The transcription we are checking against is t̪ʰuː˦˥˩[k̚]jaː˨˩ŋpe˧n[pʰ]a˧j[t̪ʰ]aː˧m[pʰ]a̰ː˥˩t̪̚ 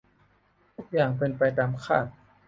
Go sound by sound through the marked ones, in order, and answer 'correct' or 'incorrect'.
correct, incorrect, incorrect, incorrect

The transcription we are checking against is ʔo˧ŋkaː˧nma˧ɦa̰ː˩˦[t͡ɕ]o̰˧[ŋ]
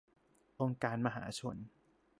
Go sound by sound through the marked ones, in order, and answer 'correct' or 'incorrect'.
incorrect, incorrect

